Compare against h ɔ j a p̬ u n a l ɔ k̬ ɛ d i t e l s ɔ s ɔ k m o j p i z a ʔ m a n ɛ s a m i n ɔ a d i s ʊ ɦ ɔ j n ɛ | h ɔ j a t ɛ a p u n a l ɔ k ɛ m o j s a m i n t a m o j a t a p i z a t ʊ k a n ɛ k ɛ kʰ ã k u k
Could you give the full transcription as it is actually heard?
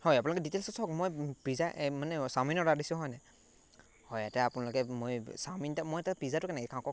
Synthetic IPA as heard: h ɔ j a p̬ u n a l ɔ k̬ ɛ d i t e l s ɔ s ɔ k m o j p i z a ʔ m a n ɛ s a m i n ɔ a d i s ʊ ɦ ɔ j n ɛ | h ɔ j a t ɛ a p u n a l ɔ k ɛ m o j s a m i n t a m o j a t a p i z a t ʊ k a n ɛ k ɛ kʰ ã k ɔ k